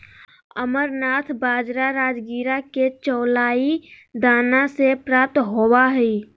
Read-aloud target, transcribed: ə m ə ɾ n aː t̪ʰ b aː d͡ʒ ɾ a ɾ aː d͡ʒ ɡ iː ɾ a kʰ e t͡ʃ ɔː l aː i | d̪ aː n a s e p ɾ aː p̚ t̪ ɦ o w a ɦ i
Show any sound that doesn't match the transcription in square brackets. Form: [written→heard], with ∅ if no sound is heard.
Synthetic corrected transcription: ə m ə ɾ n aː t̪ʰ b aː d͡ʒ ɾ a ɾ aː d͡ʒ ɡ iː ɾ a [kʰ→k] e t͡ʃ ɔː l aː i | d̪ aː n a s e p ɾ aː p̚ t̪ ɦ o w a ɦ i